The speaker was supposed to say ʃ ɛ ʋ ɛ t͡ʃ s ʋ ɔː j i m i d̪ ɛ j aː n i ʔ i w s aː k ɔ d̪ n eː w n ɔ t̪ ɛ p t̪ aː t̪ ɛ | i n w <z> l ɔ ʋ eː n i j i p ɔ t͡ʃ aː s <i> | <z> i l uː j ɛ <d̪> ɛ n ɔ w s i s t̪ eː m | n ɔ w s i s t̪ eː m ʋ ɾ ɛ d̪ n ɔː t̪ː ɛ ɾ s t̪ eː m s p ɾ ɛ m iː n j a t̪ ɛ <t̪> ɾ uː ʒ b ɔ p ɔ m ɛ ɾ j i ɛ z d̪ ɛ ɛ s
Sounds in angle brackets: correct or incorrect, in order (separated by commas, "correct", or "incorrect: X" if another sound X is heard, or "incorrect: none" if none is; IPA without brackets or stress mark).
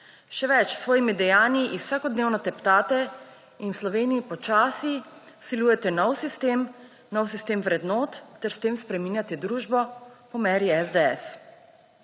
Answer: incorrect: s, correct, incorrect: s, incorrect: t̪, incorrect: d̪